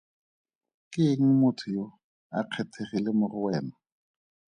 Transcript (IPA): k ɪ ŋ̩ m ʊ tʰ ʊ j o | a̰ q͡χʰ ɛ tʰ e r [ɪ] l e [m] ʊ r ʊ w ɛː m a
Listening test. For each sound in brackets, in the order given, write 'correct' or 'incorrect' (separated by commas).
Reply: incorrect, correct